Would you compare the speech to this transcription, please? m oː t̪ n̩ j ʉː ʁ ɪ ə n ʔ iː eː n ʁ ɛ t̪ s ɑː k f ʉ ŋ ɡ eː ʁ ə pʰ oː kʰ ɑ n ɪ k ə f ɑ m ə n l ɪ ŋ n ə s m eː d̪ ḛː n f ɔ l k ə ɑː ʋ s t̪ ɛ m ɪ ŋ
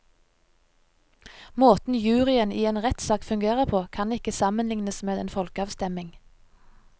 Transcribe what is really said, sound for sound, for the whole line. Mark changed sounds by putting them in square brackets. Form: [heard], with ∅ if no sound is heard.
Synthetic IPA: m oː t̪ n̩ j ʉː ʁ ɪ ə n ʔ iː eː n ʁ ɛ t̪ s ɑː k f ʉ ŋ ɡ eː ʁ ə pʰ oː kʰ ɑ n ɪ k ə [s] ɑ m ə n l ɪ ŋ n ə s m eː d̪ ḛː n f ɔ l k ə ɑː ʋ s t̪ ɛ m ɪ ŋ